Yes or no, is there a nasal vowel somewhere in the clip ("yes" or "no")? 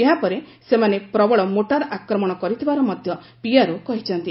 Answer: no